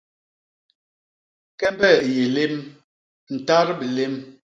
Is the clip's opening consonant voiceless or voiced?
voiceless